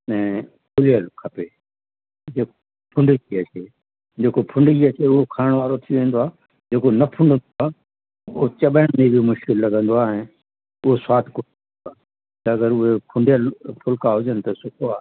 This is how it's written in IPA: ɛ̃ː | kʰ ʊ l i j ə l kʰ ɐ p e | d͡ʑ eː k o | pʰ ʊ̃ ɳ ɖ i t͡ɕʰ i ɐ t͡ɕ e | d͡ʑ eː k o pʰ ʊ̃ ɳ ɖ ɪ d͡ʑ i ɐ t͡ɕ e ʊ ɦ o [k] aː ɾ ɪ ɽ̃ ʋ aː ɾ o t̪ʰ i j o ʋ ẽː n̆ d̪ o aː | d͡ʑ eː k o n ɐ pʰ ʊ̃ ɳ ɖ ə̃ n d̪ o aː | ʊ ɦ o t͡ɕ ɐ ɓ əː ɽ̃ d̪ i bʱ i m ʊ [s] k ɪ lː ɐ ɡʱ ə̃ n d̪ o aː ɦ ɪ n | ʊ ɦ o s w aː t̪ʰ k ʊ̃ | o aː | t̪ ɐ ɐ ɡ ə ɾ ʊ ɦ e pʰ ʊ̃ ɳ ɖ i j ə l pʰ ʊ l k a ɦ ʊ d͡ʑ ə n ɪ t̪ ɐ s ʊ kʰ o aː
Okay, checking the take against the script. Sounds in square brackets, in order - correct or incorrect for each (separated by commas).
incorrect, incorrect